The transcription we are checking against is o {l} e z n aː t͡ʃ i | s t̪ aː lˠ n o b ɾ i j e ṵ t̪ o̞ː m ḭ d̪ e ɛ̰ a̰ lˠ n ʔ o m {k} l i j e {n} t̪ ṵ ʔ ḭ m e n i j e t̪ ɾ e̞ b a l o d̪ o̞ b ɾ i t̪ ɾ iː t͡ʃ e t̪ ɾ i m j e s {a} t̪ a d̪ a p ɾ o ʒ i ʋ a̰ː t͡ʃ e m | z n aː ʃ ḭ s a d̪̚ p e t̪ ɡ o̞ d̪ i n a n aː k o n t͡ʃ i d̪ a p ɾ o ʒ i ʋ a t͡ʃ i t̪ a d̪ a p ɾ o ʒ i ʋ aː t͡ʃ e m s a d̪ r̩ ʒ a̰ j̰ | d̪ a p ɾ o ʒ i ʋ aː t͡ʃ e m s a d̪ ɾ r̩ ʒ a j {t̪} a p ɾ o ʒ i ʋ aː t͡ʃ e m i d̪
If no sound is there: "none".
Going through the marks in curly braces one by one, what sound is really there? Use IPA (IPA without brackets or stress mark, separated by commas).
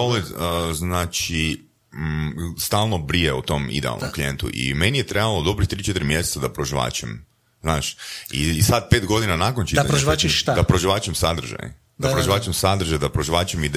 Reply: l, k, n, e, d̪